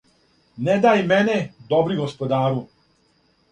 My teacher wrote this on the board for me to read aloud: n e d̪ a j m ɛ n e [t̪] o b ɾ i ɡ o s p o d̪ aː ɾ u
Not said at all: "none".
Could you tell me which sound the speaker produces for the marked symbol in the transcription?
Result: d̪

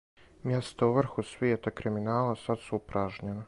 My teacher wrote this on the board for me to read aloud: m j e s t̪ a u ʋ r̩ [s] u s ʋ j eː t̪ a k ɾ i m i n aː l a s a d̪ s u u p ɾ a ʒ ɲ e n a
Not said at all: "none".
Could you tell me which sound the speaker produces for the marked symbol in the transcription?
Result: x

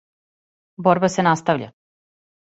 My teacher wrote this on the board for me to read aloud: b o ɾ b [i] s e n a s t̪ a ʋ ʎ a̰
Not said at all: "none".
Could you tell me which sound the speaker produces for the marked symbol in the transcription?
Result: a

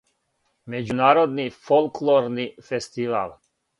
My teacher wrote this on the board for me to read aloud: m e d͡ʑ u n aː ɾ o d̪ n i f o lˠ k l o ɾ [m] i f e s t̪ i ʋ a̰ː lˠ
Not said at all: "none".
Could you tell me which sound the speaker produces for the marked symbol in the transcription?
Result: n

